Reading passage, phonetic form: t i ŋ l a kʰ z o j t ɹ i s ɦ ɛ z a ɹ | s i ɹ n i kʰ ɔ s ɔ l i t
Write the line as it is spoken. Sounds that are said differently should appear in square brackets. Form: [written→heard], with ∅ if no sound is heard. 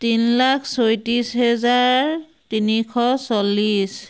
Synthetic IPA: t i [ŋ→n] l a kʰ [z→s] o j t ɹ i s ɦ ɛ z a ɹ | [s→t] i [ɹ→∅] n i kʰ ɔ s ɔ l i [t→s]